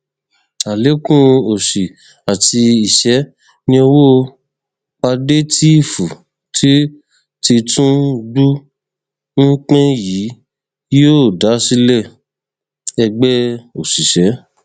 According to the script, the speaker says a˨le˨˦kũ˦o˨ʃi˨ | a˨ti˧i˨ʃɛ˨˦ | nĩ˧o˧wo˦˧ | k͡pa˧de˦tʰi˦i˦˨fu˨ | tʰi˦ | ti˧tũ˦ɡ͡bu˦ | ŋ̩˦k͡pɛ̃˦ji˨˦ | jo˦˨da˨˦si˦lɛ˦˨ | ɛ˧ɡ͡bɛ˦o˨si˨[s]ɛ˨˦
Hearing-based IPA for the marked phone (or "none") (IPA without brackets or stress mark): ʃ